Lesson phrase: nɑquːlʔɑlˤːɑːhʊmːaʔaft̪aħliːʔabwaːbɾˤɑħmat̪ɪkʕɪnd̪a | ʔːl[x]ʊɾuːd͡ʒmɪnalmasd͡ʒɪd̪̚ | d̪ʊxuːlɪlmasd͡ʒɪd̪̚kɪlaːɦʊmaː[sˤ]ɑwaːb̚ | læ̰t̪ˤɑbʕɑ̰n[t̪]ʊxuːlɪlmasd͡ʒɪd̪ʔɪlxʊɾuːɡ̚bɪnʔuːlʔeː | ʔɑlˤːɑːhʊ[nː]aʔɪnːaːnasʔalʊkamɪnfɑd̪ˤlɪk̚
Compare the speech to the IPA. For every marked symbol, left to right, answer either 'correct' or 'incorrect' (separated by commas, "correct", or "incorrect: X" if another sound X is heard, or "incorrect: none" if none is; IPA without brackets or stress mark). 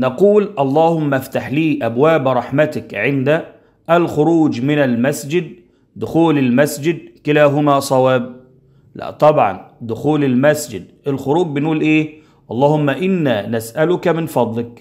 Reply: correct, correct, incorrect: d̪, incorrect: mː